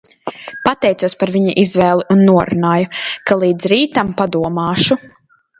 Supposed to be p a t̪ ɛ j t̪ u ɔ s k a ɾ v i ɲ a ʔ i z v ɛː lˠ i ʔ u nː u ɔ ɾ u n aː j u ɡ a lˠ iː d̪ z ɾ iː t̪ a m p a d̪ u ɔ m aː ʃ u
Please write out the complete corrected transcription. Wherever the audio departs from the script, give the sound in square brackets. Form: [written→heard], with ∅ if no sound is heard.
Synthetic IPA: p a t̪ ɛ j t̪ u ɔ s [k→p] a ɾ v i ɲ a ʔ i z v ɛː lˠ i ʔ u nː u ɔ ɾ u n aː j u [ɡ→k] a lˠ iː d̪ z ɾ iː t̪ a m p a d̪ u ɔ m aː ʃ u